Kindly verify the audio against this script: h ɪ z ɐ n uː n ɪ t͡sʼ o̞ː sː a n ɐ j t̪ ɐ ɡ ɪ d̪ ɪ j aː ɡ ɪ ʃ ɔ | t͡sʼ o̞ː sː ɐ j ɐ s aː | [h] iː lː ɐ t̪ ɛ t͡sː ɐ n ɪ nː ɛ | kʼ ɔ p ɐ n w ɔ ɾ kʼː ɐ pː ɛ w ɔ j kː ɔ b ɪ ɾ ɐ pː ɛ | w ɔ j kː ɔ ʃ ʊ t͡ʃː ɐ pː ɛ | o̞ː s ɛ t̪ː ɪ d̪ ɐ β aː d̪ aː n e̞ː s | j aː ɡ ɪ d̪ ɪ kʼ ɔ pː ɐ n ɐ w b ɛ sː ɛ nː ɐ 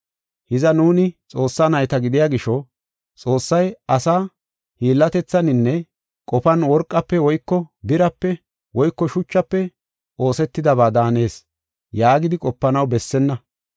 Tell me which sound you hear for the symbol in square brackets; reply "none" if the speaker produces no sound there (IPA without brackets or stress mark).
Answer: h